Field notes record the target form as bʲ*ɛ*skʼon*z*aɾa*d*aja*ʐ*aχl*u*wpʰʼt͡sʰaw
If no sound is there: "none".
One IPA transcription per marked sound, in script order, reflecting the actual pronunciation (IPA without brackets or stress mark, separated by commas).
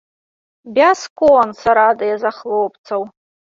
a, s, d, z, o